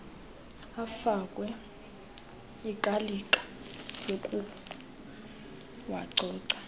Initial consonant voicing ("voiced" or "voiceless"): voiceless